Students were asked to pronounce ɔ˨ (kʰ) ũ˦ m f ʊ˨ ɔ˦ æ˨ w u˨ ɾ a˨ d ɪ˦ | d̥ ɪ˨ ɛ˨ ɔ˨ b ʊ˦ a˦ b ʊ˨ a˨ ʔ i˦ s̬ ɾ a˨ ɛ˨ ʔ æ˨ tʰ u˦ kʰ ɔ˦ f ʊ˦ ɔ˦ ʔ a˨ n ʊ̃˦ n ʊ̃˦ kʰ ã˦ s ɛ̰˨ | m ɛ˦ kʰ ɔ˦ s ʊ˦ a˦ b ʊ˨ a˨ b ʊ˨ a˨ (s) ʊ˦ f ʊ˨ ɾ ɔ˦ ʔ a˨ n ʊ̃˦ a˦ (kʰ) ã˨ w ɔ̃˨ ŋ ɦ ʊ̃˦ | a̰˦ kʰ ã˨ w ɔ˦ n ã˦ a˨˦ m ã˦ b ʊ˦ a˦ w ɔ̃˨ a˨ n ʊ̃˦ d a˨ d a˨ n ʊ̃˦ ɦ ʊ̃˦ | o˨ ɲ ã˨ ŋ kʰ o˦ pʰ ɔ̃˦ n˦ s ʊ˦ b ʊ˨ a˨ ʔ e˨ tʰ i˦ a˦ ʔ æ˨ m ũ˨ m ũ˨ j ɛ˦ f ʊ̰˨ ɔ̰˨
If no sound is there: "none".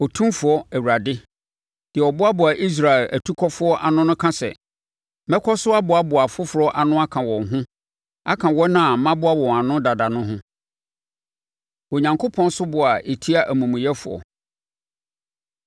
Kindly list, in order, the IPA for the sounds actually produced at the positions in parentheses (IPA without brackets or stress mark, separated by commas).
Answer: tʰ, f, kʰ